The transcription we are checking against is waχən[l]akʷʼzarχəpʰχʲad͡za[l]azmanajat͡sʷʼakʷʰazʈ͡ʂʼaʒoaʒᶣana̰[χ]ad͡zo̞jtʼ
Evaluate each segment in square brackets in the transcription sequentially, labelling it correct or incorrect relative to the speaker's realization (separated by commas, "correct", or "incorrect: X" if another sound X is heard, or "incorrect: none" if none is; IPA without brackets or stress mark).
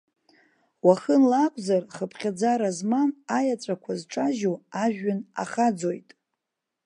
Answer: correct, incorrect: ɾ, correct